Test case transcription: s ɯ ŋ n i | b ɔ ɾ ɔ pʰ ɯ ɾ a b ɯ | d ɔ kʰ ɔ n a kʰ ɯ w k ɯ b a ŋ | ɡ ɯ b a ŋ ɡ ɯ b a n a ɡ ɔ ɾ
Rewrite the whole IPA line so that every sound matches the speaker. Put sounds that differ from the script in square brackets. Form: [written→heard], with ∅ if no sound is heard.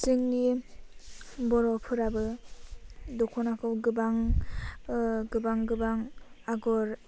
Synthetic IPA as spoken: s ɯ ŋ n i | b ɔ ɾ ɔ pʰ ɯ ɾ a b ɯ | d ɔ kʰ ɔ n a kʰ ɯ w [k→ɡ] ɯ b a ŋ | ɡ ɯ b a ŋ ɡ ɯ b a [n→ŋ] a ɡ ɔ ɾ

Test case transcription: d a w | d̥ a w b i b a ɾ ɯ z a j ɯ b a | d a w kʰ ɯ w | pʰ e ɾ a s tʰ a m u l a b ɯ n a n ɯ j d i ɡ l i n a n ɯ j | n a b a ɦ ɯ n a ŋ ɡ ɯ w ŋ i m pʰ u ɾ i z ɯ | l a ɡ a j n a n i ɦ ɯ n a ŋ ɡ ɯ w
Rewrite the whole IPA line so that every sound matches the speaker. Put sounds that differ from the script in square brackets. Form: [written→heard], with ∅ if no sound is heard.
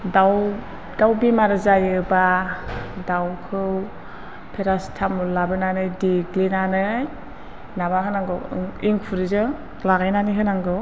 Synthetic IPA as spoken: d a w | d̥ a w b i [b→m] a ɾ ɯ z a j ɯ b a | d a w kʰ ɯ w | pʰ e ɾ a s tʰ a m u l a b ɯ n a n ɯ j d i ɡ l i n a n ɯ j | n a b a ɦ ɯ n a ŋ ɡ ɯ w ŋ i [m→ŋ] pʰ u ɾ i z ɯ | l a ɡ a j n a n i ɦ ɯ n a ŋ ɡ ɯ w

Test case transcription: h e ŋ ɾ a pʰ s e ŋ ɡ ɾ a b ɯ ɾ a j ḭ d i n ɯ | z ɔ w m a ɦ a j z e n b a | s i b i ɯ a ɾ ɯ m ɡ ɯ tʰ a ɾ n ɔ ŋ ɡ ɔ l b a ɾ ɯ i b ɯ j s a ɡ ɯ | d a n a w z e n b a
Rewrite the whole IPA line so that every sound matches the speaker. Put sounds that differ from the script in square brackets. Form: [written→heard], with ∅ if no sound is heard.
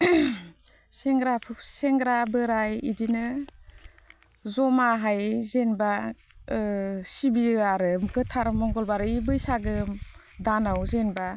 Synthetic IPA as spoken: [h→s] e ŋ ɾ a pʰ s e ŋ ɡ ɾ a b ɯ ɾ a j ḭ d i n ɯ | z ɔ [w→∅] m a ɦ a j z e n b a | s i b i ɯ a ɾ ɯ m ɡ ɯ tʰ a ɾ [n→m] ɔ ŋ ɡ ɔ l b a ɾ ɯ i b ɯ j s a ɡ ɯ | d a n a w z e n b a

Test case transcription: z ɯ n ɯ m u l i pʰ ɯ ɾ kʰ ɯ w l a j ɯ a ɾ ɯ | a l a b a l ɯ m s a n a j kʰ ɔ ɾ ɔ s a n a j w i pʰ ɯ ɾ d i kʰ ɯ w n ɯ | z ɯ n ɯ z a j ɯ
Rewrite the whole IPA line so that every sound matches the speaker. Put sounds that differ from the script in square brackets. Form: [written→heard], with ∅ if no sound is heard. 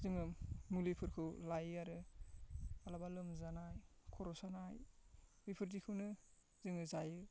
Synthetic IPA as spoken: z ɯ [n→ŋ] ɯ m u l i pʰ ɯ ɾ kʰ ɯ w l a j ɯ a ɾ ɯ | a l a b a l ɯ m [s→z] a n a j kʰ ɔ ɾ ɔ s a n a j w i pʰ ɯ ɾ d i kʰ ɯ w n ɯ | z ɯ [n→ŋ] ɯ z a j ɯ

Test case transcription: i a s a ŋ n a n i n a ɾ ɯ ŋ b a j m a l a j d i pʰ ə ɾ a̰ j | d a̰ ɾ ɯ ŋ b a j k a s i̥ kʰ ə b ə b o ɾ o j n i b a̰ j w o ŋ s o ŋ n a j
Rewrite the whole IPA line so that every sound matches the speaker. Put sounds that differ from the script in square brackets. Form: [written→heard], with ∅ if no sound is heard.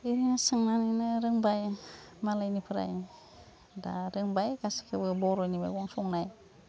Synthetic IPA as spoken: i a s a ŋ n a n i n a ɾ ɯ ŋ b a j m a l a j [d→n] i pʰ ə ɾ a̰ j | d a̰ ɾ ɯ ŋ b a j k a s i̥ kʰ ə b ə b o ɾ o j n i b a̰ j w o ŋ s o ŋ n a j

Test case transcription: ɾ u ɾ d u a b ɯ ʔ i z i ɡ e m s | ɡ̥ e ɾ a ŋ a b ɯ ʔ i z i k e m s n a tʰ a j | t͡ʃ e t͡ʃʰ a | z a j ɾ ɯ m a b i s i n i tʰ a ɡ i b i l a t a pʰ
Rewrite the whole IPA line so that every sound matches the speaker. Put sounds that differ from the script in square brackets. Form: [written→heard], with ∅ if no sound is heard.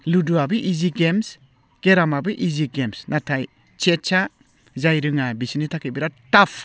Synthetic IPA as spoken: [ɾ→l] u [ɾ→∅] d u a b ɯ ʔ i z i ɡ e m s | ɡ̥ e ɾ a [ŋ→m] a b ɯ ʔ i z i [k→ɡ] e m s n a tʰ a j | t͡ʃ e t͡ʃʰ a | z a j ɾ ɯ [m→ŋ] a b i s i n i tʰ a [ɡ→k] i b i [l→ɾ] a t a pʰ

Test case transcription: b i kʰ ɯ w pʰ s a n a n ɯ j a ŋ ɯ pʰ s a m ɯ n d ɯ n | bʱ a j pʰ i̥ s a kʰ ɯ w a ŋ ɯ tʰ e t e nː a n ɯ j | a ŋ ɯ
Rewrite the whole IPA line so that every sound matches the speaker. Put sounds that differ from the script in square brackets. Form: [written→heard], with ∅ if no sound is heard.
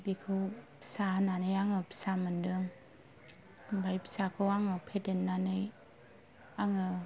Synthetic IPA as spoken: b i kʰ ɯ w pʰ s a n a n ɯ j a ŋ ɯ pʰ s a m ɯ n d ɯ [n→ŋ] | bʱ a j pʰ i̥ s a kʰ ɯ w a ŋ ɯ [tʰ→pʰ] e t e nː a n ɯ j | a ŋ ɯ

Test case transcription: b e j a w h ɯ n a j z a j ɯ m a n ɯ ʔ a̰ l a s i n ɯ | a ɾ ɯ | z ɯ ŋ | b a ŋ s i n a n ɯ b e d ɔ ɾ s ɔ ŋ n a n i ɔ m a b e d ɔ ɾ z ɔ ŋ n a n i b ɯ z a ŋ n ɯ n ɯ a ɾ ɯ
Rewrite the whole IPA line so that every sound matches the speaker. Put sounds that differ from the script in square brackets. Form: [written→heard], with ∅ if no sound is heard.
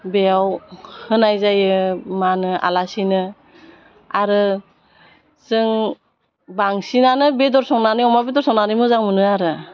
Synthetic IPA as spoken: b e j a w h ɯ n a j z a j ɯ m a n ɯ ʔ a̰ l a s i n ɯ | a ɾ ɯ | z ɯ ŋ | b a ŋ s i n a n ɯ b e d ɔ ɾ s ɔ ŋ n a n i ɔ m a b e d ɔ ɾ [z→s] ɔ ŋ n a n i [b→m] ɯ z a ŋ [n→m] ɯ n ɯ a ɾ ɯ

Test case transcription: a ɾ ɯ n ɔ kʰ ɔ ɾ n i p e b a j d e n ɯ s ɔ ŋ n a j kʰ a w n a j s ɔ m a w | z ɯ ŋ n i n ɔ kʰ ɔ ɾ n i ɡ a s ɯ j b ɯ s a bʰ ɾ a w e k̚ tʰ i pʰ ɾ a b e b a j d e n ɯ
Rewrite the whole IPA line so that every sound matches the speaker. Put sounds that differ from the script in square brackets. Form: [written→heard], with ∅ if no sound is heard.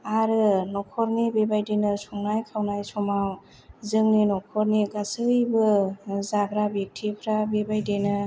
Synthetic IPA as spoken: a ɾ ɯ n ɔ kʰ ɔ ɾ n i [p→b] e b a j d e n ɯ s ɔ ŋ n a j kʰ a w n a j s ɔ m a w | z ɯ ŋ n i n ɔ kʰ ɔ ɾ n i ɡ a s ɯ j b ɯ [s→z] a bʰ ɾ a [w→b] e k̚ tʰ i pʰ ɾ a b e b a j d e n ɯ

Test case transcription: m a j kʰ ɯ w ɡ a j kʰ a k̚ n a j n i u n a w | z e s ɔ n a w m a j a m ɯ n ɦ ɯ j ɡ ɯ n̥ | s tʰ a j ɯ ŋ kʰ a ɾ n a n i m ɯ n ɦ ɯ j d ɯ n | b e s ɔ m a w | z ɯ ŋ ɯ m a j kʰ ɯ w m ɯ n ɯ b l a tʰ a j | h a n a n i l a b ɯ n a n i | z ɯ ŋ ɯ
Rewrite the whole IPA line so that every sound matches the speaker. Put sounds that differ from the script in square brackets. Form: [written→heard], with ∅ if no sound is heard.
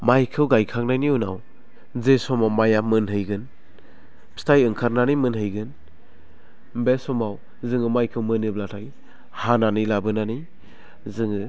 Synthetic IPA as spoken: m a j kʰ ɯ w ɡ a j kʰ a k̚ n a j n i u n a w | z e s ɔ [n→m] a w m a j a m ɯ n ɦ ɯ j ɡ ɯ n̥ | s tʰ a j ɯ ŋ kʰ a ɾ n a n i m ɯ n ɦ ɯ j [d→ɡ] ɯ n | b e s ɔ m a w | z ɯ ŋ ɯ m a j kʰ ɯ w m ɯ n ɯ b l a tʰ a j | h a n a n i l a b ɯ n a n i | z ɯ ŋ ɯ

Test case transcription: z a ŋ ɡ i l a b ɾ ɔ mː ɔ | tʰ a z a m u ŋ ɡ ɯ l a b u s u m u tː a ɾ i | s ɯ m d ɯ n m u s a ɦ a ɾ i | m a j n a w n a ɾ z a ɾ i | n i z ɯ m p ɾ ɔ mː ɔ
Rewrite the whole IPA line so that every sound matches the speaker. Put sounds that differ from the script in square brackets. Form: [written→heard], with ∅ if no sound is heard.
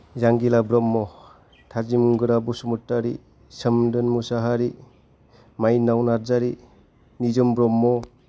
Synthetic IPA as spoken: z a ŋ ɡ i l a b ɾ ɔ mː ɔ | tʰ a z [a→i] m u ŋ ɡ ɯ [l→ɾ] a b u s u m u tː a ɾ i | s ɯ m d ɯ n m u s a ɦ a ɾ i | m a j n a w n a ɾ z a ɾ i | n i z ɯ m [p→b] ɾ ɔ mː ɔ

